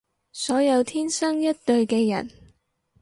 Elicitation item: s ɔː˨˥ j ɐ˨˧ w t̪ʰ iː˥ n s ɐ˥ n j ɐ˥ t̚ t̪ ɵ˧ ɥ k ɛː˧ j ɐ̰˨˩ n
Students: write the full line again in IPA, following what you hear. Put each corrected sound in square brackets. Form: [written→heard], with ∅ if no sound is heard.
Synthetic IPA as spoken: s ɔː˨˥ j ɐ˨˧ w t̪ʰ iː˥ n s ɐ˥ [n→ŋ] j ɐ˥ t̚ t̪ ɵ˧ ɥ k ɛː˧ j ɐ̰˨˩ n